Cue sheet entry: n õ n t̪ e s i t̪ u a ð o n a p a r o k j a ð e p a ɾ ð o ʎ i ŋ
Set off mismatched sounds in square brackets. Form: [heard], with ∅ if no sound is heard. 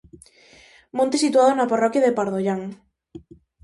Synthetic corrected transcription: [m] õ n t̪ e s i t̪ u a ð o n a p a r [ɔ] k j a ð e p a ɾ ð o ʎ [a] ŋ